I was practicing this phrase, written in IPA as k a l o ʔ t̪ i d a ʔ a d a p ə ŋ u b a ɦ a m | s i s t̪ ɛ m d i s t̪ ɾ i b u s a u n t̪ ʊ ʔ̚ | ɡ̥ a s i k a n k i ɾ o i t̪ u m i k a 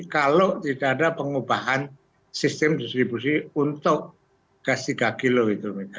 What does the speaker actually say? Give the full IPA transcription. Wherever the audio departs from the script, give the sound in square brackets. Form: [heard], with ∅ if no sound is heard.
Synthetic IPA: k a l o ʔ t̪ i d a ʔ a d a p ə ŋ u b a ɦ a [n] | s i s t̪ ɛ m d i s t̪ ɾ i b u s [i] u n t̪ ʊ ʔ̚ | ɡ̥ a s i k a [∅] k i [l] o i t̪ u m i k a